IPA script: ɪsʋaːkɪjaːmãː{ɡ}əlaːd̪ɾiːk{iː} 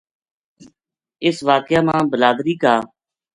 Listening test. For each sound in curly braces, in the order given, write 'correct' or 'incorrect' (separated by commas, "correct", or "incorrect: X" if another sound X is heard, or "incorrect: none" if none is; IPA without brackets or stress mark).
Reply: incorrect: b, incorrect: aː